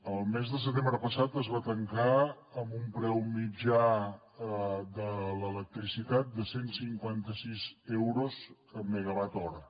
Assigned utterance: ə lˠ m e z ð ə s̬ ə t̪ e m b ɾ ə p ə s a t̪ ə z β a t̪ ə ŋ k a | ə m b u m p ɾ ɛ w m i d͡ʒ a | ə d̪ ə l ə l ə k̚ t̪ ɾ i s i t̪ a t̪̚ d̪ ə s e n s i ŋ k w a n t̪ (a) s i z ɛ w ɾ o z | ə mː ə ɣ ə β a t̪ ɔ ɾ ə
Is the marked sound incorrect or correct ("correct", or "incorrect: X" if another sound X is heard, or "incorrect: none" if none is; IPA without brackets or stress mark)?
incorrect: ə